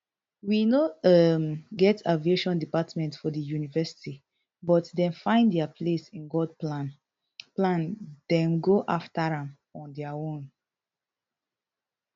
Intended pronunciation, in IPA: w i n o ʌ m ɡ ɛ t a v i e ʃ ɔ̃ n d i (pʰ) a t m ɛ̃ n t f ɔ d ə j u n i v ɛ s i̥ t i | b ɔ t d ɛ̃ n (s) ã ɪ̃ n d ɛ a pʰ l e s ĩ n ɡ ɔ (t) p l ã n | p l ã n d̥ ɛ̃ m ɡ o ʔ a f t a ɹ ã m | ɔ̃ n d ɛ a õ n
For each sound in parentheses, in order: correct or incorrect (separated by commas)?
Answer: incorrect, incorrect, incorrect